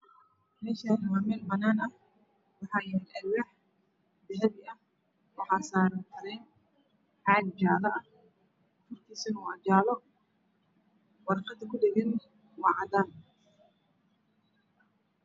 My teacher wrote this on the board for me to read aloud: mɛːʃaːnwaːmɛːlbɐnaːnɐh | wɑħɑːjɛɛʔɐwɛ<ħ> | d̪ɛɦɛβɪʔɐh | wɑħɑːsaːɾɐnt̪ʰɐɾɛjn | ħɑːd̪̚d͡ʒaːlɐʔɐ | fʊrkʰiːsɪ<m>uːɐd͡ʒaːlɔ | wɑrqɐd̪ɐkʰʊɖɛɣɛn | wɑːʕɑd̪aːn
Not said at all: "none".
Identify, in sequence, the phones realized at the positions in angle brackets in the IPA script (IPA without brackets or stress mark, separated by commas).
ħ, n